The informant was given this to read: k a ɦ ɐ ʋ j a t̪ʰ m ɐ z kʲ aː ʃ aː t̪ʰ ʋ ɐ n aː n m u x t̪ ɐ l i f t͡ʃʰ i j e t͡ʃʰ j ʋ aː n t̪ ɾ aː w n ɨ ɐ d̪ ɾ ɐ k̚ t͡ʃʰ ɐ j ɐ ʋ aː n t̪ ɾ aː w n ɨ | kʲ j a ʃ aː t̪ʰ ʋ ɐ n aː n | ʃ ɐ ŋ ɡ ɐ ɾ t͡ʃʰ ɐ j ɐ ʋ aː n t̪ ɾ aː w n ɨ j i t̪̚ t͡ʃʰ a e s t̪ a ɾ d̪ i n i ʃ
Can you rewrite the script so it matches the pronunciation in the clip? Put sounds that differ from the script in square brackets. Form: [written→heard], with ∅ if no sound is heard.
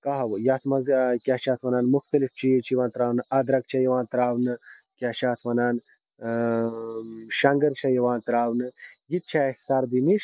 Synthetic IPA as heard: k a ɦ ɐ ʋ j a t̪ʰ m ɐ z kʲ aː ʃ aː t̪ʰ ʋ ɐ n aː n m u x t̪ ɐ l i f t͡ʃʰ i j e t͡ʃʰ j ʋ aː n t̪ ɾ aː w n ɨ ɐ d̪ ɾ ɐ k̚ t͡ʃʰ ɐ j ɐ ʋ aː n t̪ ɾ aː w n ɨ | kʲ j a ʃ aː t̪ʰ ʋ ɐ n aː n | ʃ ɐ ŋ ɡ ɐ ɾ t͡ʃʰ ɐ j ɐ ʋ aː n t̪ ɾ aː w n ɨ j i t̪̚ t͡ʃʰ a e s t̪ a ɾ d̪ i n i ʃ